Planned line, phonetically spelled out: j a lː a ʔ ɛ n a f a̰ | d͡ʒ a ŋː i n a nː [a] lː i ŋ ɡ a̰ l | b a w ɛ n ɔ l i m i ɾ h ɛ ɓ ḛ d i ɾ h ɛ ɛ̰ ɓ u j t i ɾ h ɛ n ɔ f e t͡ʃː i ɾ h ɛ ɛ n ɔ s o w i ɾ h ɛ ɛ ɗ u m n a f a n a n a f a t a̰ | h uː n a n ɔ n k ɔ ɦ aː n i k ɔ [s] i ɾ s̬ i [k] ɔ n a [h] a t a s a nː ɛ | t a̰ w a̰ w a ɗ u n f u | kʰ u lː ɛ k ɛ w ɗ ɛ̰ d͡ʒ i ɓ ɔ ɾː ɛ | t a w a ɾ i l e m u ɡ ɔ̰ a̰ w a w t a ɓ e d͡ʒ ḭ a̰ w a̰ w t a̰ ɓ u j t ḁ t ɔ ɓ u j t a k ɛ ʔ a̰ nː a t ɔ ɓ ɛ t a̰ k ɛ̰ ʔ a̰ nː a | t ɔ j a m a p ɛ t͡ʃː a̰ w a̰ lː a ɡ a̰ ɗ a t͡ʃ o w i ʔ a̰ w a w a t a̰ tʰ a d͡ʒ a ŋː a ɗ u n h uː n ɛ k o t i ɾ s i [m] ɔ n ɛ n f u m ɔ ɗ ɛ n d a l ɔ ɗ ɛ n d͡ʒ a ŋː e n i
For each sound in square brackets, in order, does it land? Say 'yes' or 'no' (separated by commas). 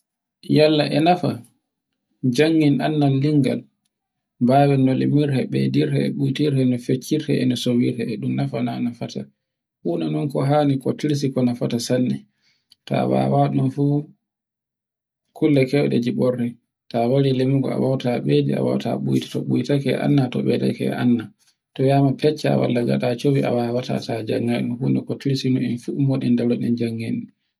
yes, no, yes, no, no